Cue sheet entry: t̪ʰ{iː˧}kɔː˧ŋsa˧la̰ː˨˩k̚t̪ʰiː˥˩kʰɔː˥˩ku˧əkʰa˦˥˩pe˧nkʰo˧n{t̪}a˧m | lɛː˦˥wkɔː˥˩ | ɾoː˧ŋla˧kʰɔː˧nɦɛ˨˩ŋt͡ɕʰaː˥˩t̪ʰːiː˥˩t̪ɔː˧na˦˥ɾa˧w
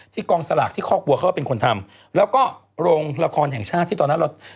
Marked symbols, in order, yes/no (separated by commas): no, no